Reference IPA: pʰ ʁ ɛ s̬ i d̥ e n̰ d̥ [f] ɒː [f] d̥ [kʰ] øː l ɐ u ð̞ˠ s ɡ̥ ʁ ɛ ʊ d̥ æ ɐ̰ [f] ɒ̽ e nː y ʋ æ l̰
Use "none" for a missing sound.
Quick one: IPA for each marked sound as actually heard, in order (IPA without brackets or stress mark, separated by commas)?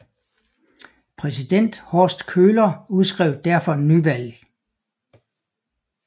h, s, kʰ, f